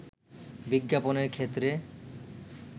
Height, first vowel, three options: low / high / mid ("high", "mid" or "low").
high